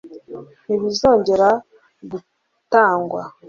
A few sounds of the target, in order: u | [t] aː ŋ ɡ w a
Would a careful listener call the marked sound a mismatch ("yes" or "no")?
no